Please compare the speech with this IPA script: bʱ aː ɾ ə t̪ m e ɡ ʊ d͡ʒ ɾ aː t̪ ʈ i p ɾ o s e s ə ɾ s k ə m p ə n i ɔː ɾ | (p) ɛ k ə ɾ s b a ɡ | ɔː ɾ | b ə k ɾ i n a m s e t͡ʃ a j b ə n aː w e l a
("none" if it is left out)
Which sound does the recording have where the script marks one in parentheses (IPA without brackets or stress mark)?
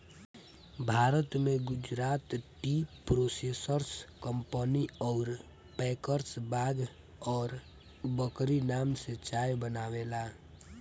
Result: p